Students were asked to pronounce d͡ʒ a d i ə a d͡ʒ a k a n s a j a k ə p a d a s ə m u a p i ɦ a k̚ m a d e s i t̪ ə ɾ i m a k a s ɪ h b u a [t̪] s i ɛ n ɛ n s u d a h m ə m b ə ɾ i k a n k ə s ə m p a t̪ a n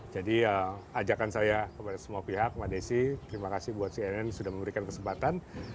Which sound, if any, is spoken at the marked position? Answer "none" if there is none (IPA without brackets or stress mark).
t̪